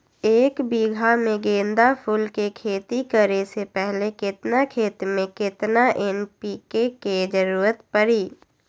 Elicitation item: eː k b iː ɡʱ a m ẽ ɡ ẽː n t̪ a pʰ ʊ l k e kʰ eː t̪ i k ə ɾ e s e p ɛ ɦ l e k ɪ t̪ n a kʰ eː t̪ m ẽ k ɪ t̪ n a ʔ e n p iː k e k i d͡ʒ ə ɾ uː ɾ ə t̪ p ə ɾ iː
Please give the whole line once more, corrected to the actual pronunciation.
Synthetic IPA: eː k b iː ɡʱ a m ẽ ɡ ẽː n d̪ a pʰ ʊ l k e kʰ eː t̪ i k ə ɾ e s e p ɛ ɦ l e k ɪ t̪ n a kʰ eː t̪ m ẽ k ɪ t̪ n a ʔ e n p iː k e k e d͡ʒ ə ɾ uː ɾ ə t̪ p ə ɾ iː

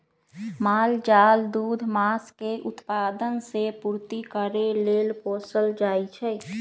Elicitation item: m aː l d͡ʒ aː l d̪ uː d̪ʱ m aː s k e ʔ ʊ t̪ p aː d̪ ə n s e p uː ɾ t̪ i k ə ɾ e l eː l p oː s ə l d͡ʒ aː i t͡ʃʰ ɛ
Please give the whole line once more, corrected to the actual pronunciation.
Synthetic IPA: m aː l d͡ʒ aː l d̪ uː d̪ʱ m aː s k e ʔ ʊ t̪ p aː d̪ ə n s e p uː ɾ t̪ i k ə ɾ e l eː l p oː s ə l d͡ʒ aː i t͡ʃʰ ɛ

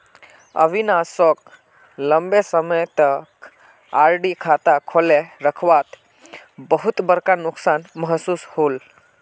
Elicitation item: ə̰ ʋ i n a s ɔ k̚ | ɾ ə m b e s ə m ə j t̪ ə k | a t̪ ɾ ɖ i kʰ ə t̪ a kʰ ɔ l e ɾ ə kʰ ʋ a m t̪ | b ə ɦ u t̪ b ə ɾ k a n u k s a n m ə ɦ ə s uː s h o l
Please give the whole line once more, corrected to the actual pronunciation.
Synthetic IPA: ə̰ ʋ i n a s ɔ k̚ | l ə m b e s ə m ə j t̪ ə k | a ɾ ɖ i kʰ a t̪ a kʰ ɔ l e ɾ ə kʰ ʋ a t̪ | b ə ɦ u t̪ b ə ɾ k a n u k s a n m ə ɦ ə s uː s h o l

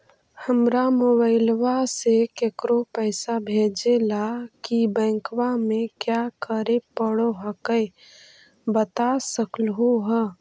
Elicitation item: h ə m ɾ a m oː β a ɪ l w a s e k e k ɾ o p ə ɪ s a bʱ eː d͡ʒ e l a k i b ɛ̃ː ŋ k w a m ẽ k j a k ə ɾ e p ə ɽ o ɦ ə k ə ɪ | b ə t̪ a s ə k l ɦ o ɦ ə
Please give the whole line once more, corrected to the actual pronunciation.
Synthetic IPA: h ə m ɾ a m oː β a ɪ l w a s e k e k ɾ o p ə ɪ s a bʱ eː d͡ʒ e l a k i b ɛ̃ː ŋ k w a m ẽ k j a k ə ɾ e p ə ɽ o ɦ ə k ə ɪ | b ə t̪ a s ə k l ɦ o ɦ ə

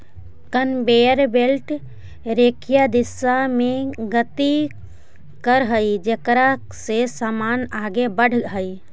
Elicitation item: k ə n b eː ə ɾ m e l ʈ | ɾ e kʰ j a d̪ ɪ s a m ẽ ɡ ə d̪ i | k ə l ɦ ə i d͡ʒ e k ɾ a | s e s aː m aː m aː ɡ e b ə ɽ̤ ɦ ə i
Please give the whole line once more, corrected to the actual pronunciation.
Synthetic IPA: k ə n b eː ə ɾ b e l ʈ | ɾ e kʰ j a d̪ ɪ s a m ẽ ɡ ə t̪ i | k ə ɾ ɦ ə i d͡ʒ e k ɾ a | s e s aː m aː n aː ɡ e b ə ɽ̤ ɦ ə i

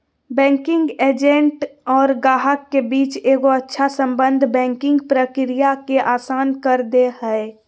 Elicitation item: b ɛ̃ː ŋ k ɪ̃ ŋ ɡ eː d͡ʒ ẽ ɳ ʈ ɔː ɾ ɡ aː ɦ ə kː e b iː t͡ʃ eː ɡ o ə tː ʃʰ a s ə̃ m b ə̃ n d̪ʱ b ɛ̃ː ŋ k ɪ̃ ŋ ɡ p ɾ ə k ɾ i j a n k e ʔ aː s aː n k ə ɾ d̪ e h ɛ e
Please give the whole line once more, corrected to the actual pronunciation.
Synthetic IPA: b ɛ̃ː ŋ k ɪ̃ ŋ ɡ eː d͡ʒ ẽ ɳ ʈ ɔː ɾ ɡ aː ɦ ə kː e b iː t͡ʃ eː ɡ o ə tː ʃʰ a s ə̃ m b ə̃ n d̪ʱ b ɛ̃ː ŋ k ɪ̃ ŋ ɡ p ɾ ə k ɾ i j a k e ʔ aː s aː n k ə ɾ d̪ e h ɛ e

